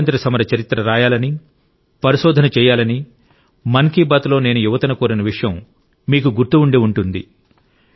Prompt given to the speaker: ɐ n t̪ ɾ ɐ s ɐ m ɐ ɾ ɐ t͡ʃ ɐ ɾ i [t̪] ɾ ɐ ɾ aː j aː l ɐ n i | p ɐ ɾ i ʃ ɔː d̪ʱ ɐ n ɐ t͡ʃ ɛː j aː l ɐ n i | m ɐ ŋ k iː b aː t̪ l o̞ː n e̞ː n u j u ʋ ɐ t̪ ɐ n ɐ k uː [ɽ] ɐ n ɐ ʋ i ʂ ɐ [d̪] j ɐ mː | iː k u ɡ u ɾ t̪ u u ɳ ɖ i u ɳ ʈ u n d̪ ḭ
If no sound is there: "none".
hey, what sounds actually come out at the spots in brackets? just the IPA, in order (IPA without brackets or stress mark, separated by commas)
t̪, ɾ, none